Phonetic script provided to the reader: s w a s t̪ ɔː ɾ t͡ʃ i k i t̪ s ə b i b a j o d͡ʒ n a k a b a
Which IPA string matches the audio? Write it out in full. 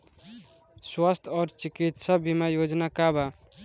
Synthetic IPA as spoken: s w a s t̪ʰ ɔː ɾ t͡ʃ i k i t̪ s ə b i m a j o d͡ʒ n a k a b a